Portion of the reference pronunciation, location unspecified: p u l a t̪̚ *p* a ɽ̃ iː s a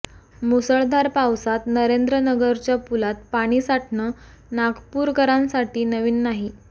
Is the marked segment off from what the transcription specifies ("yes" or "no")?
no